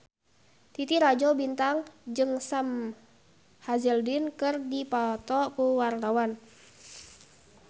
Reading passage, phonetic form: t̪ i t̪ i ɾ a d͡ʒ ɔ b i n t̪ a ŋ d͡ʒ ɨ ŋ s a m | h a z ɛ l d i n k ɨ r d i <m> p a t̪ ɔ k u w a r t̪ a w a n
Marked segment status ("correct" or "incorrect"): incorrect